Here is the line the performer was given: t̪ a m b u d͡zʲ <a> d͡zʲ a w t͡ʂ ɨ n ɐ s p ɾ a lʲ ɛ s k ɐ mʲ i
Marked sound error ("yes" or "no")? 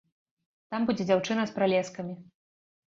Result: yes